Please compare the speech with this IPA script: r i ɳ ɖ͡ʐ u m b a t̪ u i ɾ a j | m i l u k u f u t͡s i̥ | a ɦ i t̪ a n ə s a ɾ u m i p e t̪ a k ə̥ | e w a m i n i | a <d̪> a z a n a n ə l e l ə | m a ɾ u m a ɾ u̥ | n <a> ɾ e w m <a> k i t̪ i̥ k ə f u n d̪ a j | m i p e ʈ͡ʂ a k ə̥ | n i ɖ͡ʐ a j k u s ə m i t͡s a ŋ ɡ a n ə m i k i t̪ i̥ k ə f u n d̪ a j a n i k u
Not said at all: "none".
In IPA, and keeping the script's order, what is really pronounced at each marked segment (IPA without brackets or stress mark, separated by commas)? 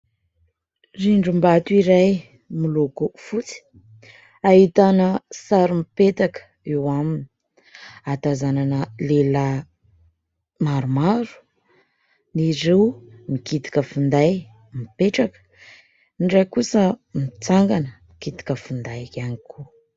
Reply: t̪, i, i